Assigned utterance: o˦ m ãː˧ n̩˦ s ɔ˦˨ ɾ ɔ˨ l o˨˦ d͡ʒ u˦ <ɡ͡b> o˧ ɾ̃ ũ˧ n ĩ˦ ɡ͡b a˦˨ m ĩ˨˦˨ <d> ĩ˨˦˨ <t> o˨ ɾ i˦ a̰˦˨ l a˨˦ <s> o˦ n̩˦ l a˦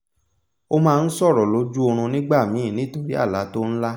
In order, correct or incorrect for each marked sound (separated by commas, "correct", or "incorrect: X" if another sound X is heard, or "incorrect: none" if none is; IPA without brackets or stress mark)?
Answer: incorrect: none, incorrect: n, correct, incorrect: t